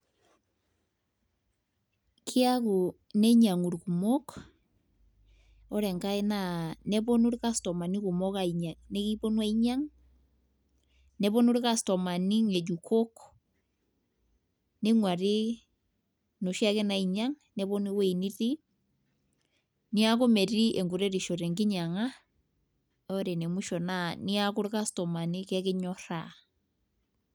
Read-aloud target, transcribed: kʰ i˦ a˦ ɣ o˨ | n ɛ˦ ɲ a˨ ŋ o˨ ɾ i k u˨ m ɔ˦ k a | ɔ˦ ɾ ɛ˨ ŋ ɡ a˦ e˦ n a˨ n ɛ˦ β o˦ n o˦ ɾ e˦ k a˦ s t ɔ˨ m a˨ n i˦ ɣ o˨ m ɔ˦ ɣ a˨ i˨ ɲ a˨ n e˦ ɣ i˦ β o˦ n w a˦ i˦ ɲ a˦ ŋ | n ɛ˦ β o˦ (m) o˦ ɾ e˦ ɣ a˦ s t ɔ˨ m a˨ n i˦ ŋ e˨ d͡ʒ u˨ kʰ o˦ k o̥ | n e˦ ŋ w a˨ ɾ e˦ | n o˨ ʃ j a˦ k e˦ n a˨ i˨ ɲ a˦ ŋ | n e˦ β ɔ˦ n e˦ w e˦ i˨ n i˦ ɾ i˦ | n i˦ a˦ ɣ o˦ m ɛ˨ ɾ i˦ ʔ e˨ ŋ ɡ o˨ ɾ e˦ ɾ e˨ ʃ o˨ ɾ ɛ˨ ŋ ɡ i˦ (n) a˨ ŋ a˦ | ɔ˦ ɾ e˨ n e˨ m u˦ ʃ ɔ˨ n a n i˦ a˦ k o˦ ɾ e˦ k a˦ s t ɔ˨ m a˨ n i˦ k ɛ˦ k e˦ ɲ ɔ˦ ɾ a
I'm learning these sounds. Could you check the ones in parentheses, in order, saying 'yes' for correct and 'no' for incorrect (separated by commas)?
no, no